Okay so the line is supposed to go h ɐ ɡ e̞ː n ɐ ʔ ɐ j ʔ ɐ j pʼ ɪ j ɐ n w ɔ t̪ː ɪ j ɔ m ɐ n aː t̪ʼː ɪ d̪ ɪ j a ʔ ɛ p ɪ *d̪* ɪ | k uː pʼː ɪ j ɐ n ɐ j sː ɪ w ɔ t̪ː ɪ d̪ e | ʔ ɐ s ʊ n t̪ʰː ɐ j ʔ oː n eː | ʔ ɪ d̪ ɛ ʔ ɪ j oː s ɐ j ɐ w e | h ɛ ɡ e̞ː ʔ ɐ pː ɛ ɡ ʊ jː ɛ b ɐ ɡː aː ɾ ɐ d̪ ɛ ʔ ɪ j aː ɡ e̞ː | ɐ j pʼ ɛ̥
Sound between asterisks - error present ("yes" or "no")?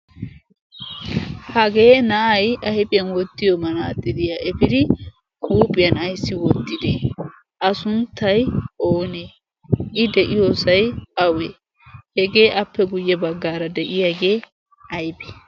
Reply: no